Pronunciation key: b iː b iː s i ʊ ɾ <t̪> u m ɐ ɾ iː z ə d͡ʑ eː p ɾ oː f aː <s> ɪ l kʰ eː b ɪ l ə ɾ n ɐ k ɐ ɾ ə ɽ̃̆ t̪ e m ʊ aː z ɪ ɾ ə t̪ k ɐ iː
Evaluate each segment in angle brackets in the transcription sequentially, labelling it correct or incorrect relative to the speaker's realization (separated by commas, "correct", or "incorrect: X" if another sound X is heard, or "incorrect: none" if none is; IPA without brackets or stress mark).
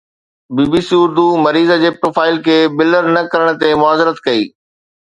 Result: incorrect: d̪, incorrect: none